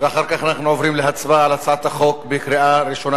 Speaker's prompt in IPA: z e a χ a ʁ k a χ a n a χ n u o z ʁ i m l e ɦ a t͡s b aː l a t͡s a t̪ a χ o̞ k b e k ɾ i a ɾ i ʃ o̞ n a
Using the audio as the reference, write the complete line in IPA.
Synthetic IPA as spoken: v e a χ a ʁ k a χ a n a χ n u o v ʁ i m l e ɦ a t͡s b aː l a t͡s a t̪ a χ o̞ k b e k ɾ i a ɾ i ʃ o̞ n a